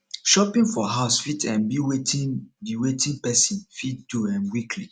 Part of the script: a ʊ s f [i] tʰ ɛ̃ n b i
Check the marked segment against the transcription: correct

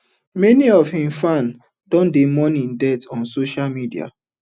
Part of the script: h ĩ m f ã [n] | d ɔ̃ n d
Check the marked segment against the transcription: correct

